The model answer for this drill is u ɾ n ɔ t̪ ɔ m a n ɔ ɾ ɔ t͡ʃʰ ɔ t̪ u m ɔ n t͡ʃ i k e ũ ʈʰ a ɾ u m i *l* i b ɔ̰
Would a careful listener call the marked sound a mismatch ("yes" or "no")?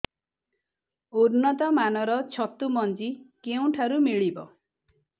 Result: yes